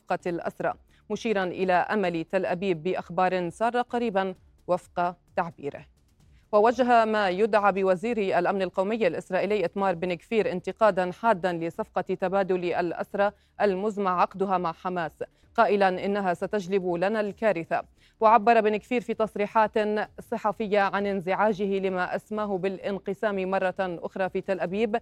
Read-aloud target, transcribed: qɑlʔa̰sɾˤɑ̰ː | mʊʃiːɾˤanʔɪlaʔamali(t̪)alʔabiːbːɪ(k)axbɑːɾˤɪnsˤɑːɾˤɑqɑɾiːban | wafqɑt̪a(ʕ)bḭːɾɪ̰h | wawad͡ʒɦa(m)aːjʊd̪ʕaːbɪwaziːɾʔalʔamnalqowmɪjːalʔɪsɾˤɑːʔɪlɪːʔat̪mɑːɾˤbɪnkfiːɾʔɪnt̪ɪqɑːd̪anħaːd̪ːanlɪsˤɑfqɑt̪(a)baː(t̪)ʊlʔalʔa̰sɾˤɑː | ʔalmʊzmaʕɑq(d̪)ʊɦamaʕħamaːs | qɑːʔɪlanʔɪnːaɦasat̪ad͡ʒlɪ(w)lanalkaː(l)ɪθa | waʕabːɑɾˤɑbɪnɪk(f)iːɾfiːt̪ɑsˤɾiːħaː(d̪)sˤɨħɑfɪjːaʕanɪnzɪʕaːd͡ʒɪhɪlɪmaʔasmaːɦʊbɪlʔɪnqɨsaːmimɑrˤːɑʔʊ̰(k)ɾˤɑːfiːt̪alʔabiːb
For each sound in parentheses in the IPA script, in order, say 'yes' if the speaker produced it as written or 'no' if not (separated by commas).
yes, no, yes, yes, yes, no, yes, no, no, yes, no, no